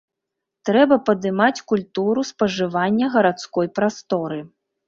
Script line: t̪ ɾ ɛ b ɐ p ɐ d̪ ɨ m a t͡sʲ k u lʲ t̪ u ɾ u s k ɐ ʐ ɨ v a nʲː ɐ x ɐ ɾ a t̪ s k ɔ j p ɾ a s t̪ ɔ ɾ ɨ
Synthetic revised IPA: t̪ ɾ ɛ b ɐ p ɐ d̪ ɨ m a t͡sʲ k u lʲ t̪ u ɾ u s p ɐ ʐ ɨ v a nʲː ɐ ɣ ɐ ɾ a t̪ s k ɔ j p ɾ a s t̪ ɔ ɾ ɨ